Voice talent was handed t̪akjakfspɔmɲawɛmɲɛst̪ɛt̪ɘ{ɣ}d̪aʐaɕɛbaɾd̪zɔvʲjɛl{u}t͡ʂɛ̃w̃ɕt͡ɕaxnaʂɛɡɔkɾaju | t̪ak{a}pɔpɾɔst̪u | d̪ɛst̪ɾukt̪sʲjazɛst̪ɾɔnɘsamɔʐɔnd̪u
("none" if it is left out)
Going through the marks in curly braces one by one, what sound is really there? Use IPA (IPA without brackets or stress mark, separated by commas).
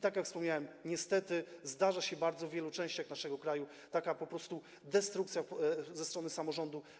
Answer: z, u, a